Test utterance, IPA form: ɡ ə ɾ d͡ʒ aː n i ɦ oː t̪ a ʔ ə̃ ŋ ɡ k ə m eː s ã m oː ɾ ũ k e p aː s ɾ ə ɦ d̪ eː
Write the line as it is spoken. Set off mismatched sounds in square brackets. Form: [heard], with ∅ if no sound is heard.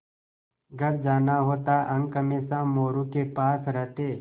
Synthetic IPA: ɡ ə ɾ d͡ʒ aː n [a] ɦ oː t̪ a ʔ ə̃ ŋ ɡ k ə m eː s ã m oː ɾ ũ k e p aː s ɾ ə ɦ [t̪] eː